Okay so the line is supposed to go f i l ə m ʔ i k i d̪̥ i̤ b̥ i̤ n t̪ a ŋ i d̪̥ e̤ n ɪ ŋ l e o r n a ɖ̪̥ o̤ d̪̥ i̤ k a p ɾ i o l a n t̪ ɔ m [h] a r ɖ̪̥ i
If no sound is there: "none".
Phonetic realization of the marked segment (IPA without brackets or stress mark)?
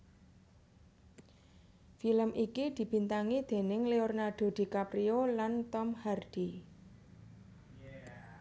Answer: h